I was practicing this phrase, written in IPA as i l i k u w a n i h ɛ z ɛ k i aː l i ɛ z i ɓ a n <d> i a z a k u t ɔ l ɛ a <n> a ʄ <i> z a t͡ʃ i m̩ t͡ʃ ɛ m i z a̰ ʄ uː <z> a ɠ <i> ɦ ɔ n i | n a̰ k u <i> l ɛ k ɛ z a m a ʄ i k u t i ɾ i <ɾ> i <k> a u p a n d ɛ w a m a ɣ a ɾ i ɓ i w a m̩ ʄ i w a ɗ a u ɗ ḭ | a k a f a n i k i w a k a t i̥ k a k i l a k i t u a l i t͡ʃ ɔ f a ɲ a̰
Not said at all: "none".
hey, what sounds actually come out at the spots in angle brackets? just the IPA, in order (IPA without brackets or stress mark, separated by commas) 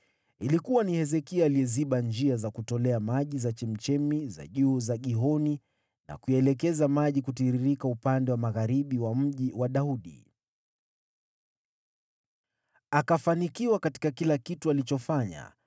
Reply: d͡ʒ, m, i, z, i, ɛ, ɾ, k